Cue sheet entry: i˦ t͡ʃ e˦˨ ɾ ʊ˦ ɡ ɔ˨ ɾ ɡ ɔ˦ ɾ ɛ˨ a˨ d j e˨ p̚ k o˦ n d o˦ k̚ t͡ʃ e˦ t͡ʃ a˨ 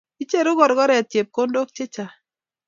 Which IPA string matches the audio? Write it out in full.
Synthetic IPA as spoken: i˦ t͡ʃ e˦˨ ɾ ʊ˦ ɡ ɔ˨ ɾ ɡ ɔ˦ ɾ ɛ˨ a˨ t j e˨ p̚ k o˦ n d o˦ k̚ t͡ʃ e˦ t͡ʃ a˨